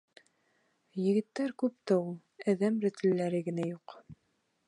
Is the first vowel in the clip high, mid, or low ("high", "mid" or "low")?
mid